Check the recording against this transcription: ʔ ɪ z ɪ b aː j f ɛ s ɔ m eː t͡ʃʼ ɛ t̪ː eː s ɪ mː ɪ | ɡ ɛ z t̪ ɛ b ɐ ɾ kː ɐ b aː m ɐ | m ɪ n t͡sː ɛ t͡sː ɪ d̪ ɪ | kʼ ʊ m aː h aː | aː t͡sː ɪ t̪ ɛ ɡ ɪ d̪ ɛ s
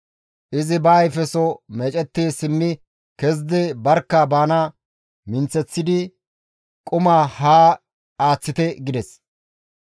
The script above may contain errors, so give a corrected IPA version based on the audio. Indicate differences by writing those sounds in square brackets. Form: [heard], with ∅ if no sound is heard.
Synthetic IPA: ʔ ɪ z ɪ b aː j f ɛ s ɔ m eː t͡ʃʼ ɛ t̪ː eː s ɪ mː ɪ | [k] ɛ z [d̪] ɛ b ɐ ɾ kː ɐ b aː [n] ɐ | m ɪ n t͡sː ɛ t͡sː ɪ d̪ ɪ | kʼ ʊ m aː h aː | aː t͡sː ɪ t̪ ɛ ɡ ɪ d̪ ɛ s